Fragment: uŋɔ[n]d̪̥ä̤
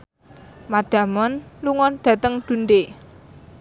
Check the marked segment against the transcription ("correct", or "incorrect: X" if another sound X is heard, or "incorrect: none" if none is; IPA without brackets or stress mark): correct